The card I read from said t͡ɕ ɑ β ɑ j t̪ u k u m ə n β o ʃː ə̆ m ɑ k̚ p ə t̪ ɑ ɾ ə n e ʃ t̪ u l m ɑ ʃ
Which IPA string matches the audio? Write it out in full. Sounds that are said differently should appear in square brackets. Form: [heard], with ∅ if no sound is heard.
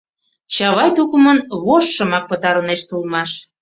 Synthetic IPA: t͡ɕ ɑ β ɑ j t̪ u k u m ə n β o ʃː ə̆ m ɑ k̚ p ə t̪ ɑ ɾ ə n e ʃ t̪ u l m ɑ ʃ